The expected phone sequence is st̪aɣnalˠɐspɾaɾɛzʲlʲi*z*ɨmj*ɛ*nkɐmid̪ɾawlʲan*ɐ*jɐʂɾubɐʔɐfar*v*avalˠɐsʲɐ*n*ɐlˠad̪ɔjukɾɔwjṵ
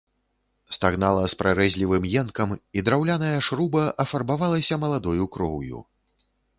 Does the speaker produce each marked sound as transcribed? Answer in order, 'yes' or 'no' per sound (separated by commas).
no, yes, yes, no, no